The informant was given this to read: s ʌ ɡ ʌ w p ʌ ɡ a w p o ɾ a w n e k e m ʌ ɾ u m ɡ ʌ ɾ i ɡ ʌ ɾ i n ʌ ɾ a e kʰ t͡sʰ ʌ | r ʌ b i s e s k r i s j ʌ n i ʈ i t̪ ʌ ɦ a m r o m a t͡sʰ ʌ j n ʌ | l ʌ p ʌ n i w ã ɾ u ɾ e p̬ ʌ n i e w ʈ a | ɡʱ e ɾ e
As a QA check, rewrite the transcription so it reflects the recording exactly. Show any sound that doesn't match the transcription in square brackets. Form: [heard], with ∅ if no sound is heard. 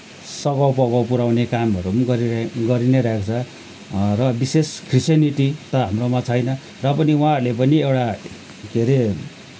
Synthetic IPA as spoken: s ʌ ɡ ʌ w p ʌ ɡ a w p [u] ɾ a w n e k [a] m ʌ ɾ u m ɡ ʌ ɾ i ɡ ʌ ɾ i n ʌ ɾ a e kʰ t͡sʰ ʌ | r ʌ b i s e s k r i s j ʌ n i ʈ i t̪ ʌ ɦ a m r o m a t͡sʰ ʌ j n ʌ | [r] ʌ p ʌ n i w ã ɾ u [l] e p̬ ʌ n i e w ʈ a | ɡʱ e ɾ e